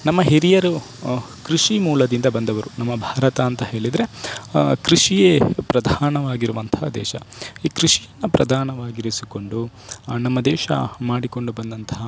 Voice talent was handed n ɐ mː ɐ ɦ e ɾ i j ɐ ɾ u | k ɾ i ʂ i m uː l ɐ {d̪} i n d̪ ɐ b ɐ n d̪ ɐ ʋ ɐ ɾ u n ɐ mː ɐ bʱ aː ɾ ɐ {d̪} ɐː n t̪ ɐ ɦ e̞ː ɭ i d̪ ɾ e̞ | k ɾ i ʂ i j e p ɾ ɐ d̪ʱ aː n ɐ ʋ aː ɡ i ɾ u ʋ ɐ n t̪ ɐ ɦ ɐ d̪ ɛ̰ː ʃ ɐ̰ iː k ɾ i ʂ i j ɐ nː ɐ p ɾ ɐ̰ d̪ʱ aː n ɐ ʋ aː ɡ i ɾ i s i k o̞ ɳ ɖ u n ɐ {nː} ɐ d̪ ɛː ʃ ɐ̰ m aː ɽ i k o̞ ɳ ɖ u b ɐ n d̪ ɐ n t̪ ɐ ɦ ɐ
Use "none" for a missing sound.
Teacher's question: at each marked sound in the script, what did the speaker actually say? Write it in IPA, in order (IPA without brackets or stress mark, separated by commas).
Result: d̪, t̪, mː